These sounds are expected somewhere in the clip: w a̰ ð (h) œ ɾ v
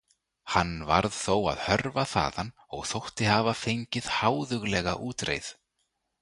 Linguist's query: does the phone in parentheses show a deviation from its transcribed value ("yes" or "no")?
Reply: no